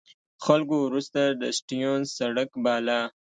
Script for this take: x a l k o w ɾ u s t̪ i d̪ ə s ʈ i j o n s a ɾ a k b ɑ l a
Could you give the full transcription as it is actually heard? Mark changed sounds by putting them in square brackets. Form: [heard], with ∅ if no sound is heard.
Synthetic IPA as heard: x a l k o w ɾ u s t̪ [a] d̪ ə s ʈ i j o n s a [ɽ] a k b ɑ l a